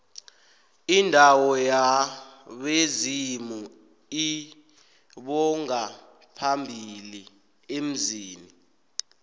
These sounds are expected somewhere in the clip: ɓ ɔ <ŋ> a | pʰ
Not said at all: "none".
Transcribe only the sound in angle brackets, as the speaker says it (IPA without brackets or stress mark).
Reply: ŋ